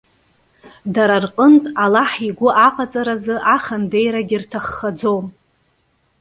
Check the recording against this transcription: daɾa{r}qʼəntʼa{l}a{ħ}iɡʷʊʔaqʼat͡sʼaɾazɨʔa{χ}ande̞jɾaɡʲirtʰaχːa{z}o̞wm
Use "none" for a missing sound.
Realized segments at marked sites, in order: r, l, ħ, χ, d͡z

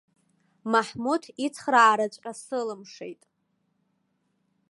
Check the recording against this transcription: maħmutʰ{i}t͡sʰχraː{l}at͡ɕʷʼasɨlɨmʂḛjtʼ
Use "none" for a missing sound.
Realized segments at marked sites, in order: i, ɾ

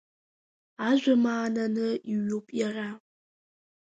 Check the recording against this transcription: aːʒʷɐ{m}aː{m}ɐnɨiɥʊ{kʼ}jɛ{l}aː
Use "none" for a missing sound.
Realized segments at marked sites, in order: m, n, pʼ, r

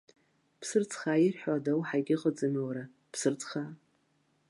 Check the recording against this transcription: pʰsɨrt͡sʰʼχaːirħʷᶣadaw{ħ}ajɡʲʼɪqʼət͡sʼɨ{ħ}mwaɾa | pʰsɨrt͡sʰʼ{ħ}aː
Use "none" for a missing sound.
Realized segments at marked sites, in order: ħ, none, χ

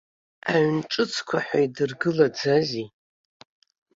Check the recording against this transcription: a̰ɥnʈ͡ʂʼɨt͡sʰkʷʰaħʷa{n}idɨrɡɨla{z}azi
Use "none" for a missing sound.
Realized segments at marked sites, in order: none, d͡z

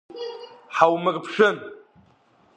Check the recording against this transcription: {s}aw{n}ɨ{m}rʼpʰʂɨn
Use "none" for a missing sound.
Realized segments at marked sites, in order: ħ, m, none

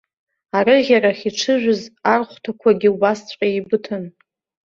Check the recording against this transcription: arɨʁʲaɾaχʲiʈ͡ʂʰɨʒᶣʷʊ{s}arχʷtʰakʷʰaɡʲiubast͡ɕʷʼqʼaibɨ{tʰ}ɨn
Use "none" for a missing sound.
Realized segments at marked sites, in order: z, tʰ

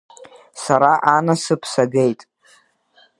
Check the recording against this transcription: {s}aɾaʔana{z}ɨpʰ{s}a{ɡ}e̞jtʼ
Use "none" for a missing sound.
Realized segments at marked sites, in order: s, s, s, ɡ

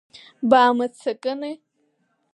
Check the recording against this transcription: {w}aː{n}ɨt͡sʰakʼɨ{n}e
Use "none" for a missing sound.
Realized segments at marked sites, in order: b, m, n

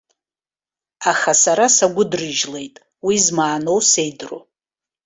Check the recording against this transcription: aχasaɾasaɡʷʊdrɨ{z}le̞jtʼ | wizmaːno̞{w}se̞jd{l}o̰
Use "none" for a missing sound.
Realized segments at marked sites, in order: ʒ, w, r

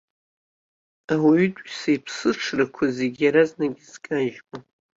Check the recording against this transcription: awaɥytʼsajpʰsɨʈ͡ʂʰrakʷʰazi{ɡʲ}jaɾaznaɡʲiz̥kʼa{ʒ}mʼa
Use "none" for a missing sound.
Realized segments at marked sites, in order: ɡʲ, ʒ

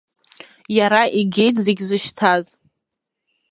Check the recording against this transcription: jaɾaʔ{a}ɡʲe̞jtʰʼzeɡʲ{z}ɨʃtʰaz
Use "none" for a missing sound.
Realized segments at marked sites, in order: i, z

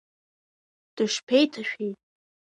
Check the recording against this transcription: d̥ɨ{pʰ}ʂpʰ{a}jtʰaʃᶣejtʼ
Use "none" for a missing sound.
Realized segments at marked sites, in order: none, e

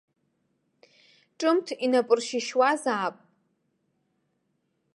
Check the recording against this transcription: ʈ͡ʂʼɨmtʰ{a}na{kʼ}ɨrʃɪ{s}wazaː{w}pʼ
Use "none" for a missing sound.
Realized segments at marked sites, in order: i, pʼ, ʃ, none

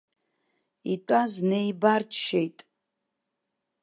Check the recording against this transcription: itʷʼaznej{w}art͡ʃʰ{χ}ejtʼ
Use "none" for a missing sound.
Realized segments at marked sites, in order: b, ʃ

